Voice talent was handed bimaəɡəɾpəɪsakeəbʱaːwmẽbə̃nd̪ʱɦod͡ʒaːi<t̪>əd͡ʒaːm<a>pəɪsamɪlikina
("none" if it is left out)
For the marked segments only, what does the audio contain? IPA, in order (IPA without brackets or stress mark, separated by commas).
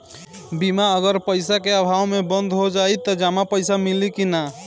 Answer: t̪, a